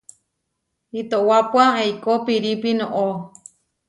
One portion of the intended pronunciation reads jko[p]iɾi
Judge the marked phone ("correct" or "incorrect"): correct